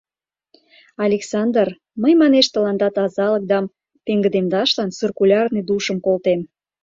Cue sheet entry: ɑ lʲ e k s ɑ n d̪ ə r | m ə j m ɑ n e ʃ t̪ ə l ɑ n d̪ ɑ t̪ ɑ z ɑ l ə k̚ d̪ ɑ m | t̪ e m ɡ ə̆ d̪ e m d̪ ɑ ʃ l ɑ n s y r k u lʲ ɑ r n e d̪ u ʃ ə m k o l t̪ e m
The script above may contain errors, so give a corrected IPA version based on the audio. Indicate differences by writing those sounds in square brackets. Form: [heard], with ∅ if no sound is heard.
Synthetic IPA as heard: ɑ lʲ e k s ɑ n d̪ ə r | m ə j m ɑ n e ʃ t̪ ə l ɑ n d̪ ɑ t̪ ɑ z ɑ l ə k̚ d̪ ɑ m | t̪ e [ŋ] ɡ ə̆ d̪ e m d̪ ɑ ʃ l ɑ n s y r k u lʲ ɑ r n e d̪ u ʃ ə m k o l t̪ e m